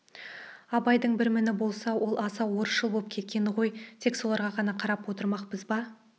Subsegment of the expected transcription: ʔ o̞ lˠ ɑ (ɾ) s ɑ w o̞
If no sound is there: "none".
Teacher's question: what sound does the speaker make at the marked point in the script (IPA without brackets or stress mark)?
none